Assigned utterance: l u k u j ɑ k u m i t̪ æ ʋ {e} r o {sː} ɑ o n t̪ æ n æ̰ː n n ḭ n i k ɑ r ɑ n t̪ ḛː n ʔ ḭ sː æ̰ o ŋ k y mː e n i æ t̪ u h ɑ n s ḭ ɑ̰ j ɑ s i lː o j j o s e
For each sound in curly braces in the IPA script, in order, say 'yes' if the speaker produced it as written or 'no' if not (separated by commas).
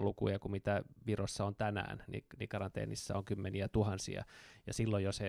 no, yes